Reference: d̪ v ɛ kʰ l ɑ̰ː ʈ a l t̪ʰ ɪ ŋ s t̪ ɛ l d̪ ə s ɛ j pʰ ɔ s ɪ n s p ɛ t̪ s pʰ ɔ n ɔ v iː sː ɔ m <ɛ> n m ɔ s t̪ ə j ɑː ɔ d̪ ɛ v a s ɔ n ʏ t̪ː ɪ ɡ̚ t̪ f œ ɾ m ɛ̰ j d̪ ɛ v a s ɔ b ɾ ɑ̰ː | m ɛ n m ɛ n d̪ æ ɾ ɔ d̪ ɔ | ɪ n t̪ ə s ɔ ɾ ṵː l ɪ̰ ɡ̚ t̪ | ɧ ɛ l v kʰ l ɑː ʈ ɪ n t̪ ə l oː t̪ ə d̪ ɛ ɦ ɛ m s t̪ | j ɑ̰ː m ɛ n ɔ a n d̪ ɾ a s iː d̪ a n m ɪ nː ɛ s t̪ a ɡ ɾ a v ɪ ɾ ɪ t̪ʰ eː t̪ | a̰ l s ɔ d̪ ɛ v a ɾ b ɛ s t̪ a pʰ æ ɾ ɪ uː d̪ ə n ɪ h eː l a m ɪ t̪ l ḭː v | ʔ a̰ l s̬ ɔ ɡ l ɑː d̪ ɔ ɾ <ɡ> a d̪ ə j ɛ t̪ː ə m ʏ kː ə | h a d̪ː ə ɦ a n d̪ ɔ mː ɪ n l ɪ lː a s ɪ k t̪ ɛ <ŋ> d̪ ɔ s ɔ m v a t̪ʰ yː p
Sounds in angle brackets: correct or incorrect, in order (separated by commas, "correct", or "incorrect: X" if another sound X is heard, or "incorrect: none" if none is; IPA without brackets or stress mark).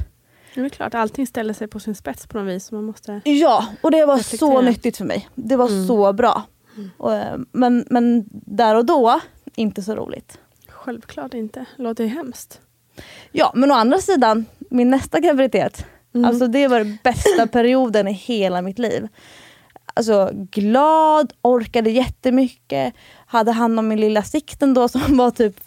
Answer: incorrect: a, incorrect: k, incorrect: n